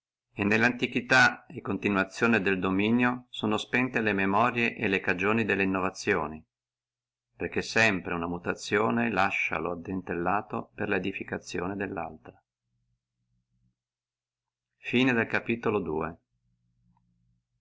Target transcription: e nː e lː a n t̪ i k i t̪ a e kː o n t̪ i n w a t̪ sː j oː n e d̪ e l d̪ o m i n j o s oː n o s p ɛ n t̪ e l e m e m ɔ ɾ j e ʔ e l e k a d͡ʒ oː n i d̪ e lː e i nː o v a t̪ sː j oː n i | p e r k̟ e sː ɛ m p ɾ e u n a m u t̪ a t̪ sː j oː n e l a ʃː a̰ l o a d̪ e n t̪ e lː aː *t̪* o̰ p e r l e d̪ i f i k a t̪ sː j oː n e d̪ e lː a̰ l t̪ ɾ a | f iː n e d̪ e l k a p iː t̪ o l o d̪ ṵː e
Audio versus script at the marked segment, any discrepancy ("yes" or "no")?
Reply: no